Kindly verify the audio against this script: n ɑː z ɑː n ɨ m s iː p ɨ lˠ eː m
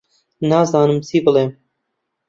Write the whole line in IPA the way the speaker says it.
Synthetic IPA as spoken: n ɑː z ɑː n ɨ m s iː b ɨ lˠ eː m